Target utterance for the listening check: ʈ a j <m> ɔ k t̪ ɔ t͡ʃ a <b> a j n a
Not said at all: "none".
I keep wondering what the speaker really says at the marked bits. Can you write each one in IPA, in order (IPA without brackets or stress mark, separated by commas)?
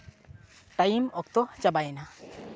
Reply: m, b